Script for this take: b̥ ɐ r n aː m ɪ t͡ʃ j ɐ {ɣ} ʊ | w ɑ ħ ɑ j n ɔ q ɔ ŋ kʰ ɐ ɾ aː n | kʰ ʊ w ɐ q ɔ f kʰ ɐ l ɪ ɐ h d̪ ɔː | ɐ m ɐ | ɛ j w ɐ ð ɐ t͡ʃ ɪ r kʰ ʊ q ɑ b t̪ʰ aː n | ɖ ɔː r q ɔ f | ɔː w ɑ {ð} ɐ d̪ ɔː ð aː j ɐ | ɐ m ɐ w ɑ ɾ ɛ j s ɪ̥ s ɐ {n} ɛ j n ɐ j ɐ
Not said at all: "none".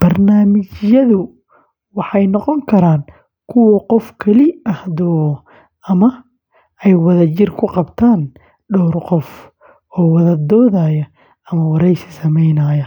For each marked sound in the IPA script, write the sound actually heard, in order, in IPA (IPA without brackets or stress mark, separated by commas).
ð, ð, m